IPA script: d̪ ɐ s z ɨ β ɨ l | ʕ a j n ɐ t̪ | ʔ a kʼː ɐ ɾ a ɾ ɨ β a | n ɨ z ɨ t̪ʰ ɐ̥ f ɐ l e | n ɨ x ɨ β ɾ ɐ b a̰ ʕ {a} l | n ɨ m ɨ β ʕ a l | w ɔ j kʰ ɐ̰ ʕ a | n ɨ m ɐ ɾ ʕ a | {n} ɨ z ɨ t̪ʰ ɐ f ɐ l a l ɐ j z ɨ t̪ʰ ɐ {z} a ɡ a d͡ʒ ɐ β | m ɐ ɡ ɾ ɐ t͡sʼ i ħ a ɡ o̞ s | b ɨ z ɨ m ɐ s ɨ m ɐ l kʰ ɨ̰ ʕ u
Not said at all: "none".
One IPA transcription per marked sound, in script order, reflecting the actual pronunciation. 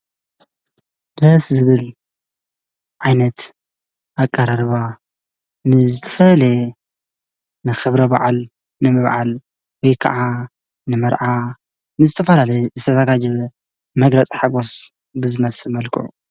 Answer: a, n, z

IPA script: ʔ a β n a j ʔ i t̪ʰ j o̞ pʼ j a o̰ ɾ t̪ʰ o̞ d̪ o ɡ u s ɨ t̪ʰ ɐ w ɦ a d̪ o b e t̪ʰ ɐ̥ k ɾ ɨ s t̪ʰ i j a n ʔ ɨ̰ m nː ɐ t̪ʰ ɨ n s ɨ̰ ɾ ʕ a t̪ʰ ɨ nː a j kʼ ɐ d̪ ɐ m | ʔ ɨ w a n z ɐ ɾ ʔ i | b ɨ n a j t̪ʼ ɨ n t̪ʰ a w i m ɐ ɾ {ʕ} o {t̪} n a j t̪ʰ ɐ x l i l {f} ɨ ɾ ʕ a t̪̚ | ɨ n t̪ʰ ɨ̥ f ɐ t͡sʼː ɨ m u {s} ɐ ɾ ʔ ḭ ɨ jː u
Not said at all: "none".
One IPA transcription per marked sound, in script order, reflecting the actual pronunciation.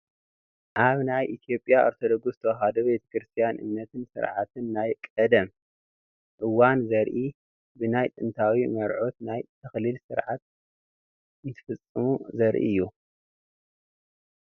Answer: ʕ, t̪, s, z

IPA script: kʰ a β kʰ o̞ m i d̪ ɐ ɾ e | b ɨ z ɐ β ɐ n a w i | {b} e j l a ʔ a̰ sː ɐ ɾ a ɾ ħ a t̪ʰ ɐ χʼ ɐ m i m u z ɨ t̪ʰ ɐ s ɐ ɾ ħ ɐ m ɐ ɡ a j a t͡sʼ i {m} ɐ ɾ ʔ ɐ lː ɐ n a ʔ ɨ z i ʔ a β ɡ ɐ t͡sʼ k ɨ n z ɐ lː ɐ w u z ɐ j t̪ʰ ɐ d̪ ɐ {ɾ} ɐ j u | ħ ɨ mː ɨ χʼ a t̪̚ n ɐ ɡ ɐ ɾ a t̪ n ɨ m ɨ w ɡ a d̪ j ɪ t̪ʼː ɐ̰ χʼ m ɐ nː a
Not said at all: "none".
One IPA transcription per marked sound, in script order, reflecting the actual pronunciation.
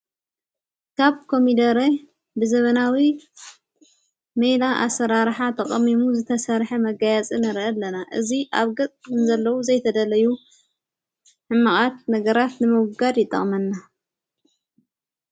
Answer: m, n, l

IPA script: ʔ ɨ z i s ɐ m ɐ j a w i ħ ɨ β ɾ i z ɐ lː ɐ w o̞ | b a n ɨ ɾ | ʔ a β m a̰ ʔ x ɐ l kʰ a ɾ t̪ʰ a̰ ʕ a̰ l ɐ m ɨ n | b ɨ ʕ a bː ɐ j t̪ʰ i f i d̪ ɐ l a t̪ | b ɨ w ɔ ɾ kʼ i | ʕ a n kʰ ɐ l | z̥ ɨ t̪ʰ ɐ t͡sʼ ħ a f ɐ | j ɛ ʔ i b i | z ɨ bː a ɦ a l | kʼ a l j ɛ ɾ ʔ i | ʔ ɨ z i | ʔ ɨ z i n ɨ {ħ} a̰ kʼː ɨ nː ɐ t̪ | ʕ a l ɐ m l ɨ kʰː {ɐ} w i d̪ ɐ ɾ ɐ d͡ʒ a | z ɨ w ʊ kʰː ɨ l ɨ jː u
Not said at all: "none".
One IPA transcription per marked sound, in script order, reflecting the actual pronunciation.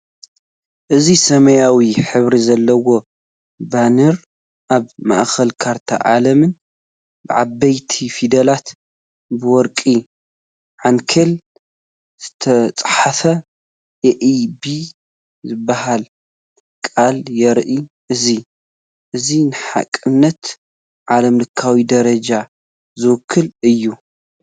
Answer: ħ, a

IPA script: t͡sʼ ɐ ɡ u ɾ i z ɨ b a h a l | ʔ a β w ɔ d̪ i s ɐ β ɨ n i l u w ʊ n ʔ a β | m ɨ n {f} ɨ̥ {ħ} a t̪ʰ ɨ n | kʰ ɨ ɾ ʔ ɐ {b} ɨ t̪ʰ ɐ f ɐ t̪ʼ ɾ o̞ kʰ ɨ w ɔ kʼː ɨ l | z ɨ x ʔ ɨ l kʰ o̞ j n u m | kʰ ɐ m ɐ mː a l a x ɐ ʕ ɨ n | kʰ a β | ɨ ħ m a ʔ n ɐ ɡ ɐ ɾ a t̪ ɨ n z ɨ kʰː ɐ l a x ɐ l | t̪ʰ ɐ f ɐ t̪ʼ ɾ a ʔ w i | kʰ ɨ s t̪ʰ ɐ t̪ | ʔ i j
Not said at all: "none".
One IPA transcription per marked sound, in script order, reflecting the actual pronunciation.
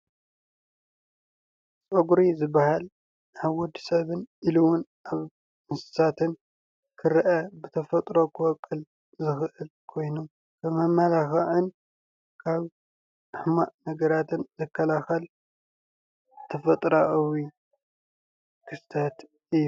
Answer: s, s, b

